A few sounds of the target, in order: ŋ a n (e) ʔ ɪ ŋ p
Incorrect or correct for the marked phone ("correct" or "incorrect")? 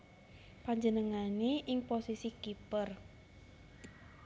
correct